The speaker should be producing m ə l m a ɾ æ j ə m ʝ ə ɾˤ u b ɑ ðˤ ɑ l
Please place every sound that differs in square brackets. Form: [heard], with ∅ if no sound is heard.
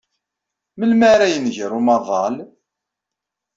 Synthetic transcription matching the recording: m ə l m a ɾ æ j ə [n] ʝ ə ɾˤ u [m] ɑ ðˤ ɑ l